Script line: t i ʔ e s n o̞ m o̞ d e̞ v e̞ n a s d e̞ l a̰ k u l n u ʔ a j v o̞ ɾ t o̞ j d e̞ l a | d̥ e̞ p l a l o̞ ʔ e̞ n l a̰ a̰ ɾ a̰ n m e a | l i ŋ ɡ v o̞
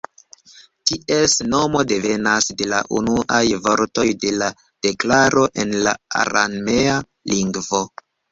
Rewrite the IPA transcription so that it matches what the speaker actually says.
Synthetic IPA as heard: t i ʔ e s n o̞ m o̞ d e̞ v e̞ n a s d e̞ l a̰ ʔ u n u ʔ a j v o̞ ɾ t o̞ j d e̞ l a | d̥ e̞ k l a ɾ o̞ ʔ e̞ n l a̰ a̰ ɾ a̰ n m e a | l i ŋ ɡ v o̞